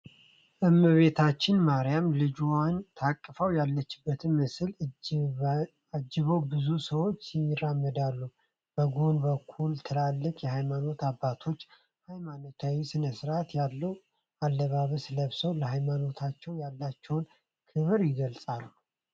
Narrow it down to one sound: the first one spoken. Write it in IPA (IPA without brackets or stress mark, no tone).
ʔ